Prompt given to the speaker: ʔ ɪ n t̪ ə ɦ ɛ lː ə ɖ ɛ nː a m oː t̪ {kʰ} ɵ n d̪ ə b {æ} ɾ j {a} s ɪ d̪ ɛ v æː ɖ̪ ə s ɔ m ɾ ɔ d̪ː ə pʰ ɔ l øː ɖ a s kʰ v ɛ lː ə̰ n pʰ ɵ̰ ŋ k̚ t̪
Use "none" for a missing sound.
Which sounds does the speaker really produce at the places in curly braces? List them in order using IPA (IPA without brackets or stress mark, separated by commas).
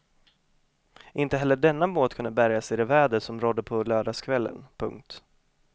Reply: kʰ, æ, a